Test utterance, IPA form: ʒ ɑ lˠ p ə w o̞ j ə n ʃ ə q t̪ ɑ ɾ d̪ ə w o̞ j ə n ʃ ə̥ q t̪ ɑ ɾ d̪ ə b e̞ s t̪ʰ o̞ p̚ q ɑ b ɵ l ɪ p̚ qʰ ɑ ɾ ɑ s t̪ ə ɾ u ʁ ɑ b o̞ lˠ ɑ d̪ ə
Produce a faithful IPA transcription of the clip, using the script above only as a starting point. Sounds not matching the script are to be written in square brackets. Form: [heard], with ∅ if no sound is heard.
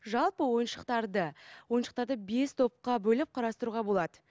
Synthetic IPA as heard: ʒ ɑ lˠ p ə w o̞ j ə n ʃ ə q t̪ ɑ ɾ d̪ ə w o̞ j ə n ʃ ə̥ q t̪ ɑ ɾ d̪ ə b e̞ s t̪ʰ o̞ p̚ q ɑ b ɵ l ɪ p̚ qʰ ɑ ɾ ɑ s t̪ ə ɾ u ʁ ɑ b o̞ lˠ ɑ d̪ ə